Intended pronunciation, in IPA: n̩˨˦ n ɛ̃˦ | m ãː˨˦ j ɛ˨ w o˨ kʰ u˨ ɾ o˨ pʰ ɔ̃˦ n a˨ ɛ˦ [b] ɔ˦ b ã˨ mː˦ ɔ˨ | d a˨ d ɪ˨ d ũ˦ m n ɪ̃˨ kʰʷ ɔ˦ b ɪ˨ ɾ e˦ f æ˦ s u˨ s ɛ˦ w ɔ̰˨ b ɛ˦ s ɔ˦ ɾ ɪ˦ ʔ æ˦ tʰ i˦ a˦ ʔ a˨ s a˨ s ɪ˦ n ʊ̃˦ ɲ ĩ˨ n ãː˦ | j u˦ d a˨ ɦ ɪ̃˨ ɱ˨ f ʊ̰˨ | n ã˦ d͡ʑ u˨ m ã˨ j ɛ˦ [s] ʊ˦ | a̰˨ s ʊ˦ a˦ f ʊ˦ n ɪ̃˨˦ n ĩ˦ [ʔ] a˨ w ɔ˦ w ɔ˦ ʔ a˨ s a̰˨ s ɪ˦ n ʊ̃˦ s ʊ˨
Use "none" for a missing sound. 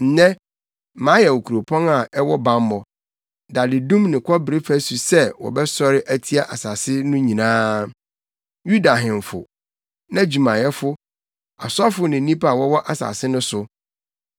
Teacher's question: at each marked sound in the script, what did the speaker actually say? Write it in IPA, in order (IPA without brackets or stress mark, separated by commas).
w, f, p